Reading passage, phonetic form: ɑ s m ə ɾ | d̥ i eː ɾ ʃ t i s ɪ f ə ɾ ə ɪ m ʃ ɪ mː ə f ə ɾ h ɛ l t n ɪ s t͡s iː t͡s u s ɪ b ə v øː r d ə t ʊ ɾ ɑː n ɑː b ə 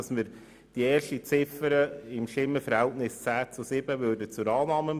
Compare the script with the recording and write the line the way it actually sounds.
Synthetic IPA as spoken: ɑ s m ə ɾ | d̥ i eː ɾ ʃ t i t͡s ɪ f ə ɾ ə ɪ m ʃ ɪ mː ə f ə ɾ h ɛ l t n ɪ s t͡s æː t͡s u s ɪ b ə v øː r d ə t͡s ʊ ɾ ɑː n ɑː m ə

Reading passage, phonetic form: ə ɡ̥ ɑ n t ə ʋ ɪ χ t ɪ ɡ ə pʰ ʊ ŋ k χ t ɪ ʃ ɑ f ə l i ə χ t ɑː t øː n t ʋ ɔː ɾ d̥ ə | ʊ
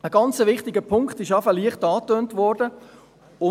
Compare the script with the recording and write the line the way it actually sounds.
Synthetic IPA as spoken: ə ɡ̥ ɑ n t͡s ə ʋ ɪ χ t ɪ ɡ ə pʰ ʊ ŋ k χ t ɪ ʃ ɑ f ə l i ə χ t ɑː t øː n t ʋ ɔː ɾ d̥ ə | ʊ

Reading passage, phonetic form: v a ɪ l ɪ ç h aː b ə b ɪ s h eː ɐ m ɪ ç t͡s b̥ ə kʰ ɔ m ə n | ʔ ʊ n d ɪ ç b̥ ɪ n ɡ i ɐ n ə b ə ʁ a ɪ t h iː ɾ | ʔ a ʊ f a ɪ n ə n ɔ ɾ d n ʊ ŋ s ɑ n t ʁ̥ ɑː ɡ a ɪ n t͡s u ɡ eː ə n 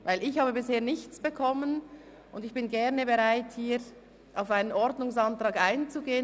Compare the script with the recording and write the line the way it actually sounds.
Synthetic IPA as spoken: v a ɪ l ɪ ç h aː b ə b ɪ s h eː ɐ n ɪ ç t͡s b̥ ə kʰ ɔ m ə n | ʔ ʊ n d ɪ ç b̥ ɪ n ɡ ɛ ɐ n ə b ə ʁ a ɪ t h iː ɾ | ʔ a ʊ f a ɪ n ə n ɔ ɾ d n ʊ ŋ s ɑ n t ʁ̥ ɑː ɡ a ɪ n t͡s u ɡ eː ə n

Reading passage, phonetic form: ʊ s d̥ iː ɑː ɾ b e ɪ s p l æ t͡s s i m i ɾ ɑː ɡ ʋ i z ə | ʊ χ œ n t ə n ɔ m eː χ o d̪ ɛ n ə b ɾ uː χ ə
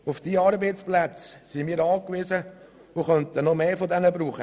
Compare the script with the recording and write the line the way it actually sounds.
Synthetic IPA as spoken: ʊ f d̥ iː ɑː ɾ b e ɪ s p l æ t͡s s i m iː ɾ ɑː k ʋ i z ə | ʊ χ œ n t ə n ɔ m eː f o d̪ ɛ n ə b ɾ uː χ ə

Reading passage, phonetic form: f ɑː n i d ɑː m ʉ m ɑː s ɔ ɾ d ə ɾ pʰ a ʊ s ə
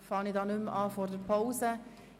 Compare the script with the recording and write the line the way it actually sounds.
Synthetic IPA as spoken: f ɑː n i d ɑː n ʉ m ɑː f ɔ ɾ d ə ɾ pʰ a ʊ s ə

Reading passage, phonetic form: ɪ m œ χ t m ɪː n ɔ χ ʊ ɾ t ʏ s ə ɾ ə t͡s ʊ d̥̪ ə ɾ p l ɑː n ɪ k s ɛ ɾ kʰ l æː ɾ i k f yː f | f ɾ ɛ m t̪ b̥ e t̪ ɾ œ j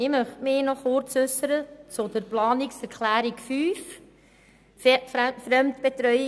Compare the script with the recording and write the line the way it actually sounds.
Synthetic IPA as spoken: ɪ m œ χ t m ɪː n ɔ χ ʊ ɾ t͡s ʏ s ə ɾ ə t͡s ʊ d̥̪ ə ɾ p l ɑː n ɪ k s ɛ ɾ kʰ l æː ɾ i k f yː f | f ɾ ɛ m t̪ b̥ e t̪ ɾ œ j

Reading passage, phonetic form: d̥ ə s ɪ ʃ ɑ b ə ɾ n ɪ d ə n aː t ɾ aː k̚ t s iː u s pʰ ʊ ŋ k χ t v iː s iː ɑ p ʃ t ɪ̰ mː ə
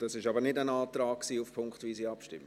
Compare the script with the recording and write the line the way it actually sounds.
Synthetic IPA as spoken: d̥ ɑ s ɪ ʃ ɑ b ə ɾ n ɪ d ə n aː t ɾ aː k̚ k s iː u f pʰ ʊ ŋ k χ t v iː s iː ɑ p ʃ t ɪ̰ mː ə

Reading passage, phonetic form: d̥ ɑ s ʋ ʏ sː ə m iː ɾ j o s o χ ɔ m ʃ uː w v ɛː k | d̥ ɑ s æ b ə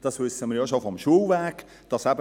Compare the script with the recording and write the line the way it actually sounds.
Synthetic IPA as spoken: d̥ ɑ s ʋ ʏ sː ə m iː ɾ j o ʃ o f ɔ m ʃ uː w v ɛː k | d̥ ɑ s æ b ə

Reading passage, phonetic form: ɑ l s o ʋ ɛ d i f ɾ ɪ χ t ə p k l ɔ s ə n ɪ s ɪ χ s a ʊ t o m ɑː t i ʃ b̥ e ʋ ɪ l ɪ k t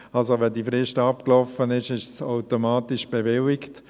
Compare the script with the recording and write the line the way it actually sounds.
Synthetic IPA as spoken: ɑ l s o ʋ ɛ d i f ɾ ɪ ʃ t ɑ p k l ɔ f ə n ɪ ʃ ɪ ʃ s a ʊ t o m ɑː t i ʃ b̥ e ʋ ɪ l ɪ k t

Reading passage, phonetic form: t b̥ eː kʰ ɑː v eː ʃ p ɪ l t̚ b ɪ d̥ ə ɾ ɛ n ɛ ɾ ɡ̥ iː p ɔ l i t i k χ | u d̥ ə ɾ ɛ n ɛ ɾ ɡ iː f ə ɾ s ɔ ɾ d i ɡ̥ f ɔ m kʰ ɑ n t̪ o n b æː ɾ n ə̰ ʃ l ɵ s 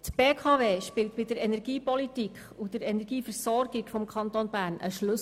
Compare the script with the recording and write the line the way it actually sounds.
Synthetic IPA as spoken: t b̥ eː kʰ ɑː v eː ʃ p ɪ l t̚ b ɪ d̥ ə ɾ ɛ n ɛ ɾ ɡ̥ iː p ɔ l i t i k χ | u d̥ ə ɾ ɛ n ɛ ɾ ɡ iː f ə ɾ s ɔ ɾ ɡ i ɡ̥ f ɔ m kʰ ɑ n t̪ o n b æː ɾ n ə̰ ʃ l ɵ s

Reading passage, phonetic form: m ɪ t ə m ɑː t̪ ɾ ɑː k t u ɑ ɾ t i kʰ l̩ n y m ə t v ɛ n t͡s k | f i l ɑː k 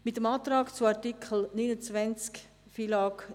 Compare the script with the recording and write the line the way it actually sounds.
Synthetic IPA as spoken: m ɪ t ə m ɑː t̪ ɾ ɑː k t͡s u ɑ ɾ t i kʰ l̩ n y n ə t͡s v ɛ n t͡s k | f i l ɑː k

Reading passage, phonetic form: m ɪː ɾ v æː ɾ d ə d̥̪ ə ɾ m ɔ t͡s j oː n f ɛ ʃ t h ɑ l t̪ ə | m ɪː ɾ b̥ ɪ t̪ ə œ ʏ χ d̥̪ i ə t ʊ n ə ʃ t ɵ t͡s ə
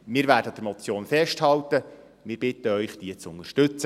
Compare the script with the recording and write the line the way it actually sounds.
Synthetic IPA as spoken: m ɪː ɾ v æː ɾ d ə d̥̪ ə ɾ m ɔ t͡s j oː n f ɛ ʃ t h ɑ l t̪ ə | m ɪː ɾ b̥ ɪ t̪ ə œ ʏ χ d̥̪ i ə t͡s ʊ n ə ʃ t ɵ t͡s ə

